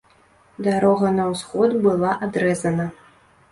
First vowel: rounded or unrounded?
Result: unrounded